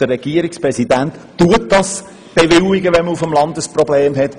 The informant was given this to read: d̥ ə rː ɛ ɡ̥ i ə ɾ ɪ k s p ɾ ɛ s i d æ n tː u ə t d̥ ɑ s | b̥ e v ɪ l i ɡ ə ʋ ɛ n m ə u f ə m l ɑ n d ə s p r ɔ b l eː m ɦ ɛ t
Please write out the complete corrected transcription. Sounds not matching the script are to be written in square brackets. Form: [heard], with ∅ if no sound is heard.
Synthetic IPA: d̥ ə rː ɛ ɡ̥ i ə ɾ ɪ k s p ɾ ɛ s i d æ n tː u ə t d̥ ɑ s | b̥ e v ɪ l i ɡ ə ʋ ɛ n m ə u f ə m l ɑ n d ə s p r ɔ b l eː m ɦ ɛ t